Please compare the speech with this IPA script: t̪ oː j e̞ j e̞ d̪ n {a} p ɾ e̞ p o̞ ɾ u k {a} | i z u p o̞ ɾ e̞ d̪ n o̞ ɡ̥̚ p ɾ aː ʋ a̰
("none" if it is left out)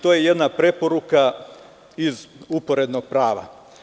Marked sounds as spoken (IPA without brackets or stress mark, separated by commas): a, a